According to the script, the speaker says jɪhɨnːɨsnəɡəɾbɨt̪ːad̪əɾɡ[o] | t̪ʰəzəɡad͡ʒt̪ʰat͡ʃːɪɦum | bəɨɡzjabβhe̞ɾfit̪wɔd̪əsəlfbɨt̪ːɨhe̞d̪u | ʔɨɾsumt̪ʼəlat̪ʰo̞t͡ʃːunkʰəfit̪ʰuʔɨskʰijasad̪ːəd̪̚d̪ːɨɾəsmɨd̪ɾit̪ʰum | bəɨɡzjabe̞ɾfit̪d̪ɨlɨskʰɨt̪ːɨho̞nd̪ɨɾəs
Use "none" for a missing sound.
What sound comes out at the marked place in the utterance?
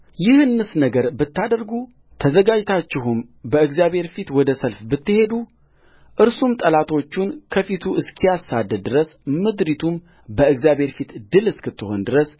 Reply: u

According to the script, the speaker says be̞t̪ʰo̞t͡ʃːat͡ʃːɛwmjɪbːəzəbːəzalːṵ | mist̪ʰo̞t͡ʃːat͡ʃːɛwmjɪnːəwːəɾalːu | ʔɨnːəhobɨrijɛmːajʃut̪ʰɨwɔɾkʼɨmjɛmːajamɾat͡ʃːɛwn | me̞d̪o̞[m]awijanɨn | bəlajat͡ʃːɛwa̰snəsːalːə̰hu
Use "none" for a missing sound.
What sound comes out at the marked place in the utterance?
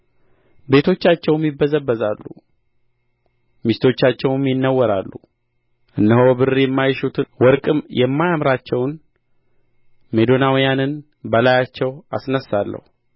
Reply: n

